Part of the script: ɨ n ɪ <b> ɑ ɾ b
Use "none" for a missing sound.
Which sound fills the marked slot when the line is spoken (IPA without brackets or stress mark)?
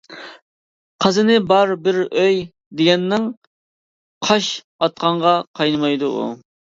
b